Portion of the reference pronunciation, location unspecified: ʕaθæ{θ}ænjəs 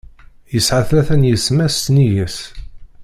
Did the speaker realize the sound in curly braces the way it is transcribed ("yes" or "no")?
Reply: yes